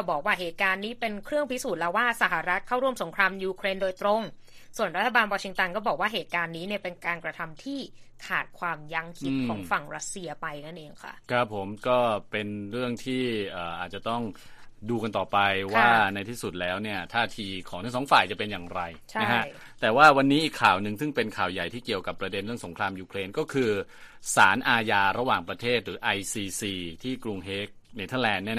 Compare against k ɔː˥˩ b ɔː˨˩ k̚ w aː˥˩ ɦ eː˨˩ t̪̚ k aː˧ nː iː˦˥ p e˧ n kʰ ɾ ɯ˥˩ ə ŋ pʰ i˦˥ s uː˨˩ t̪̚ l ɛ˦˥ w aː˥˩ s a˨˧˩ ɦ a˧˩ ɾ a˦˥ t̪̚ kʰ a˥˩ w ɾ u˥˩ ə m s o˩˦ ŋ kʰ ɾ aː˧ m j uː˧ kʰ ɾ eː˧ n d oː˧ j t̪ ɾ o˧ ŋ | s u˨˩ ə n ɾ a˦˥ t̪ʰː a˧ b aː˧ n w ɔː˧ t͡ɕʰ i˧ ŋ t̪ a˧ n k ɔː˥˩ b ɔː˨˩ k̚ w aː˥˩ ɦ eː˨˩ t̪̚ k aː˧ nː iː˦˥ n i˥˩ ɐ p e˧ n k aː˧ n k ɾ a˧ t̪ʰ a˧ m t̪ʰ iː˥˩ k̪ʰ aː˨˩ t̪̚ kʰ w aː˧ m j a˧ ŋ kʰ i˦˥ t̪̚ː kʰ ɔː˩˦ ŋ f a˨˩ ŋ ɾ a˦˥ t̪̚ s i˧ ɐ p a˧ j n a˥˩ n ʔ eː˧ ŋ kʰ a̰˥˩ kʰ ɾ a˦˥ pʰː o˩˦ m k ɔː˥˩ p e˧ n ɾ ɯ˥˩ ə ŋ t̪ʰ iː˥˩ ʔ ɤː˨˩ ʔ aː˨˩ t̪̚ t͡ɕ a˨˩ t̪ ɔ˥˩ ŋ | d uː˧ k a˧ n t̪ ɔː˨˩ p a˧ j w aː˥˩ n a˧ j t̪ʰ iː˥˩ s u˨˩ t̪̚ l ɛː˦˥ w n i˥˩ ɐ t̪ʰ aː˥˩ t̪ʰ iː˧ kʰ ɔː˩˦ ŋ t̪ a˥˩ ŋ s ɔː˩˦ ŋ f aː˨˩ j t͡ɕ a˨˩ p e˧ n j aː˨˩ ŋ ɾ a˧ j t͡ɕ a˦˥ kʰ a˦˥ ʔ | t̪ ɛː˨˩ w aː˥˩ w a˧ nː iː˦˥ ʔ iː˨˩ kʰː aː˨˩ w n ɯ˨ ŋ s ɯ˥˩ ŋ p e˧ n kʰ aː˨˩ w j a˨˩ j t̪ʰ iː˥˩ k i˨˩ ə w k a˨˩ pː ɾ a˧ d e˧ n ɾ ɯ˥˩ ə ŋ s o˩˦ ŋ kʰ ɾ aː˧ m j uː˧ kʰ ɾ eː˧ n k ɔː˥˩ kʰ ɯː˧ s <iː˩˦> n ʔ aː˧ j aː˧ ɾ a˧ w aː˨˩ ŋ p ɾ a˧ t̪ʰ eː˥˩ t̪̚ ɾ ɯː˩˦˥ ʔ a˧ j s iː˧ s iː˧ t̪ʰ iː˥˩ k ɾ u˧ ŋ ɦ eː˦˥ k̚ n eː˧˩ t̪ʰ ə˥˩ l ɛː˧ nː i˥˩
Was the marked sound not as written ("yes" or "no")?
yes